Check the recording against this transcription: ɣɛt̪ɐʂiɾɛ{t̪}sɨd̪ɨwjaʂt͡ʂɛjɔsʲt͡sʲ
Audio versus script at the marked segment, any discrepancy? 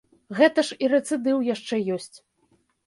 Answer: no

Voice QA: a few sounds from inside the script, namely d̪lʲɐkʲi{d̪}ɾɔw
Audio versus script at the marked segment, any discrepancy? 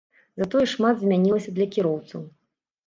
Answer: yes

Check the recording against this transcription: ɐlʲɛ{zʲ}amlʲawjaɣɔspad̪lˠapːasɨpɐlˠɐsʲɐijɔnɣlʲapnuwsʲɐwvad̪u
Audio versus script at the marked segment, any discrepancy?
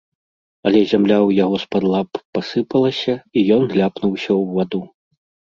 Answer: no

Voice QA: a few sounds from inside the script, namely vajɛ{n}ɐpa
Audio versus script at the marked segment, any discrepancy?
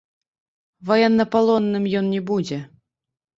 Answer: yes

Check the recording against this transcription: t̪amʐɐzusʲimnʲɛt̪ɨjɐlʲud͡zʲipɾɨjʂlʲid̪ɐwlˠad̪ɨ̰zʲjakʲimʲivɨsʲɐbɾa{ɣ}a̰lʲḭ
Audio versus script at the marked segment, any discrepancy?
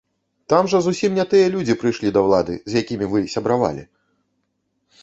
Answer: yes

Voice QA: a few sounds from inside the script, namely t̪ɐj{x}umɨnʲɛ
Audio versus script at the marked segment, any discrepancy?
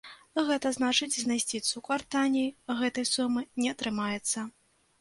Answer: yes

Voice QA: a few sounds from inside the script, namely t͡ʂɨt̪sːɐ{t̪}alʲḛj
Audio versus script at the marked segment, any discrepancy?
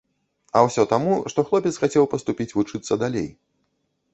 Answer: yes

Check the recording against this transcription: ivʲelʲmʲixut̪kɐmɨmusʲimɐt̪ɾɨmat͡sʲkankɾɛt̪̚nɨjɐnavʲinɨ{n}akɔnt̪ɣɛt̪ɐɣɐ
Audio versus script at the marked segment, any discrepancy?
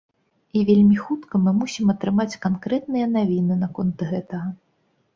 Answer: no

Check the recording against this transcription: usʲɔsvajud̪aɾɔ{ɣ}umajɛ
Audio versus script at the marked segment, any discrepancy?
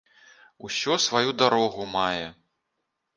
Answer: no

